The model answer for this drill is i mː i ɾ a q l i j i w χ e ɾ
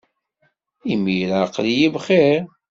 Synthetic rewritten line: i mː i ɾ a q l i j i v χ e ɾ

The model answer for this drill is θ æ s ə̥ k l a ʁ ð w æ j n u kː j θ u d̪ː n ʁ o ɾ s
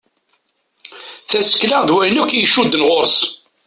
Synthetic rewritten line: θ æ s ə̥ k l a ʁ ð w æ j n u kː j ʃ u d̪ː n ʁ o ɾ s

